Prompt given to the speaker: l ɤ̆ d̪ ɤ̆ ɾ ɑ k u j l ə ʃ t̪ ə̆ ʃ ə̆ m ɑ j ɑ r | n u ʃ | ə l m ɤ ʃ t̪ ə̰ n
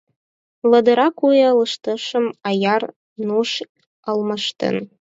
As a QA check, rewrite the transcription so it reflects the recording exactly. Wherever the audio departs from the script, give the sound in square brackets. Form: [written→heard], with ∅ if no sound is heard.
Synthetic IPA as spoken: l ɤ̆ d̪ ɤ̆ ɾ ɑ k u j l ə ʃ t̪ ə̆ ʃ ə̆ m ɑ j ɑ r | n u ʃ | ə l m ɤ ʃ t̪ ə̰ n